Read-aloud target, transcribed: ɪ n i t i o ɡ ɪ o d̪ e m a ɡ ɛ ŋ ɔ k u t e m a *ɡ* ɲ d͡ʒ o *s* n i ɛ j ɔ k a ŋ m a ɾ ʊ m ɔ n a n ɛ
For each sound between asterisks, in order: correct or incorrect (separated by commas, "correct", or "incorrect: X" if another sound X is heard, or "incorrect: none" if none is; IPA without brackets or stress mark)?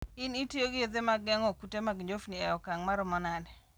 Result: correct, incorrect: f